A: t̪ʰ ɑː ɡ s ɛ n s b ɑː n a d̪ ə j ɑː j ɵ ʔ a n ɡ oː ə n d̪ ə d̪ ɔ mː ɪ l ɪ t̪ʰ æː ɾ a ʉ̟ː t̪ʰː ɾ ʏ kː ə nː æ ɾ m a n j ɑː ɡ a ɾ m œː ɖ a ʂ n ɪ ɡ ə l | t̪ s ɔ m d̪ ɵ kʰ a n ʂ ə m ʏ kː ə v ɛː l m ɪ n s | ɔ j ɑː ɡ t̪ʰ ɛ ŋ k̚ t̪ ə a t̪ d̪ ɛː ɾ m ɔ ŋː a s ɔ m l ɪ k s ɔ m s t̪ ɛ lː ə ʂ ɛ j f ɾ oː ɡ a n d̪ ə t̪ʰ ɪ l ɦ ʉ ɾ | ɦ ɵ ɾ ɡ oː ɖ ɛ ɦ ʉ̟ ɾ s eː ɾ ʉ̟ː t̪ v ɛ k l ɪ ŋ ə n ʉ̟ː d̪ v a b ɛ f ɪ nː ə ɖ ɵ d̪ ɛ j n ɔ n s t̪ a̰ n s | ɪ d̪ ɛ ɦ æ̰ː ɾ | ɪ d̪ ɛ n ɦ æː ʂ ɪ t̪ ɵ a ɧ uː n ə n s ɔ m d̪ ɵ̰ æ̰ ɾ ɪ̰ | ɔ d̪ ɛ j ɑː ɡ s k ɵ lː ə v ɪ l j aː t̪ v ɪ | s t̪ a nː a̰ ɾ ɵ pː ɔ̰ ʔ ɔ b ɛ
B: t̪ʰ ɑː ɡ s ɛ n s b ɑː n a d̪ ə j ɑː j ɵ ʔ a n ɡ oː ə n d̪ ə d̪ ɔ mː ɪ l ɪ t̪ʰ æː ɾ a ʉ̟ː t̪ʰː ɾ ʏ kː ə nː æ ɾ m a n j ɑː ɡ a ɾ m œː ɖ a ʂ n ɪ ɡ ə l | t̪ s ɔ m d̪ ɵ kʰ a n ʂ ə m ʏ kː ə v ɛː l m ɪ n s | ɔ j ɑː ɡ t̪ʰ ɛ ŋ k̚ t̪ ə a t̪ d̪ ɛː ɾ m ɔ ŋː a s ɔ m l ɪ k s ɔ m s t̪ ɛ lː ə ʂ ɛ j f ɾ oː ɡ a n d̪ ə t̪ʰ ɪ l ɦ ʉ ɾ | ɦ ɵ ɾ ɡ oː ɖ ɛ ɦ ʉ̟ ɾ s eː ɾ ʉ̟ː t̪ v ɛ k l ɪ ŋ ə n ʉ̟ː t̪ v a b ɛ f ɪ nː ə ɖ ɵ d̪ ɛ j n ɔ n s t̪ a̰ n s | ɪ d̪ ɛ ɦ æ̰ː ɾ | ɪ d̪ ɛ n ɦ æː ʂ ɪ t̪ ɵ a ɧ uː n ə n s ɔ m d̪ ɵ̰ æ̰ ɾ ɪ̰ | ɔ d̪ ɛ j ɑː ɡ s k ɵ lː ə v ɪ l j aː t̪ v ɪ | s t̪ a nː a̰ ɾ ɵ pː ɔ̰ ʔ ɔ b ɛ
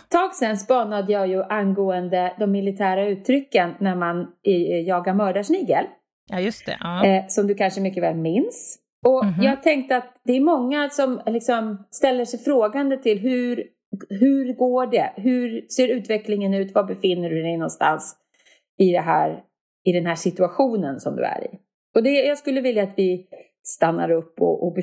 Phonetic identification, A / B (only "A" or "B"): B